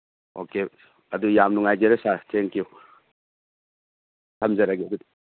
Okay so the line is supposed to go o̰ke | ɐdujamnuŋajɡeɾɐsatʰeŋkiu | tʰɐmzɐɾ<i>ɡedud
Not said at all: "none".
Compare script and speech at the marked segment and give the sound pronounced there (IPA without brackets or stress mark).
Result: a